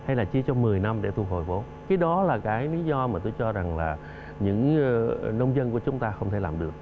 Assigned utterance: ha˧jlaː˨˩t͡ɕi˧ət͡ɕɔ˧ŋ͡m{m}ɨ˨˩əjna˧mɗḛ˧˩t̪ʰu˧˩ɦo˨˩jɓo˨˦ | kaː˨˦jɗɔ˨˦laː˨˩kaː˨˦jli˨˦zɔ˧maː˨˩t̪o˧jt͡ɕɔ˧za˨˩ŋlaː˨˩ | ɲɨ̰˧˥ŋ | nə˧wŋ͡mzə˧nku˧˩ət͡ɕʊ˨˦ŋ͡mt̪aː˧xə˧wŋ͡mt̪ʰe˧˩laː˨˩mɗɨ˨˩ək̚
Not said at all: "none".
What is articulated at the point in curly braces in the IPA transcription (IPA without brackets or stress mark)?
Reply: m